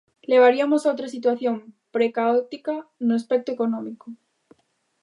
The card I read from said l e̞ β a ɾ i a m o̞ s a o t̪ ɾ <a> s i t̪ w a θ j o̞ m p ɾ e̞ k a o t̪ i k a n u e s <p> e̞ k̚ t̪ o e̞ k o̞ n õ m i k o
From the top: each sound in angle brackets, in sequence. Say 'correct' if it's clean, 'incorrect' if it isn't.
correct, correct

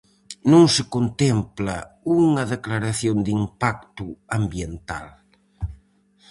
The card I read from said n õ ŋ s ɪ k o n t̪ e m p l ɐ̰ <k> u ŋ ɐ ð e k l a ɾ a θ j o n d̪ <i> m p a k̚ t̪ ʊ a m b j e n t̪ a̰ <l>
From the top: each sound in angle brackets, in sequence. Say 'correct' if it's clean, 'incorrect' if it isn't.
incorrect: none, correct, correct

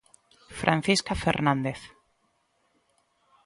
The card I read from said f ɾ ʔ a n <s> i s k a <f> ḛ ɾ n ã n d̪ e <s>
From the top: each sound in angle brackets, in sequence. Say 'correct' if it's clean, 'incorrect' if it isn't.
incorrect: θ, correct, incorrect: θ

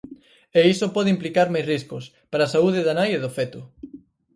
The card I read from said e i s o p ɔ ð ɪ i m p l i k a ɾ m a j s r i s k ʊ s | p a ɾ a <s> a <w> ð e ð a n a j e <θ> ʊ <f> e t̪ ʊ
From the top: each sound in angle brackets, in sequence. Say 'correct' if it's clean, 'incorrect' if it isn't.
correct, incorrect: u, incorrect: ð, correct

